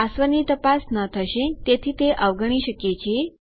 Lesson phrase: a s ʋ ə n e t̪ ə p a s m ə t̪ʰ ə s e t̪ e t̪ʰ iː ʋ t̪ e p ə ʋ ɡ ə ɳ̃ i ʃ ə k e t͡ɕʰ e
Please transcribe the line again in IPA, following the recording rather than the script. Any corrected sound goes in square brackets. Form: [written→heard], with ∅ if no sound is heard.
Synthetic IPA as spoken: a s ʋ ə n [e→i] t̪ ə p a s [m→n] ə t̪ʰ ə [s→ʃ] e t̪ e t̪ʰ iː [ʋ→∅] t̪ e [p→ʔ] ə ʋ ɡ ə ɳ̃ i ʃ ə k e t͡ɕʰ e

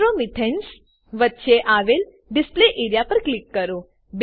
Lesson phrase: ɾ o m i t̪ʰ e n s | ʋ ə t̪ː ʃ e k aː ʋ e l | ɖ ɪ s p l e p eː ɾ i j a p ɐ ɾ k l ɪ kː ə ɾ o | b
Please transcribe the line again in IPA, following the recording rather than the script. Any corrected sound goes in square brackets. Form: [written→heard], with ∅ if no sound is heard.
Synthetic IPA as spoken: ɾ o m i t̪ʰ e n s | ʋ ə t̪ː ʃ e [k→ʔ] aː ʋ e l | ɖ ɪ s p l e [p→ʔ] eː ɾ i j a p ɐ ɾ k l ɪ kː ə ɾ o | b

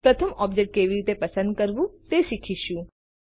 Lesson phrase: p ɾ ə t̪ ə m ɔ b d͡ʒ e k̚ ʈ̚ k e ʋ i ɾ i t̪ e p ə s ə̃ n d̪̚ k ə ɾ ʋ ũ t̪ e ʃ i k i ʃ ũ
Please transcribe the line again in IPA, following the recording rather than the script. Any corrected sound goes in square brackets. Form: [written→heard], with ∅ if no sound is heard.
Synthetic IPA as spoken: p ɾ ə [t̪→t̪ʰ] ə m ɔ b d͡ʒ e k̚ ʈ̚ k e ʋ i ɾ i t̪ e p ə s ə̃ n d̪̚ k ə ɾ ʋ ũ t̪ e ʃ i [k→kʰ] i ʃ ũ

